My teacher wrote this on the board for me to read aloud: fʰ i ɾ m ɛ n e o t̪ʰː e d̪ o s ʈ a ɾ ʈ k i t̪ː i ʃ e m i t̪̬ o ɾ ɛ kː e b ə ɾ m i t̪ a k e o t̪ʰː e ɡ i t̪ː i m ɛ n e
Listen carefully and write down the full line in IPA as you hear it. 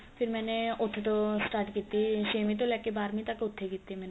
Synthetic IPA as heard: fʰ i ɾ m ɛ n e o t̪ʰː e t̪ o s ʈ a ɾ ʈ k i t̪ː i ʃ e m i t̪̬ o l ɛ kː e b a ɾ m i t̪ a k e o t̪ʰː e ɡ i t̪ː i m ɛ n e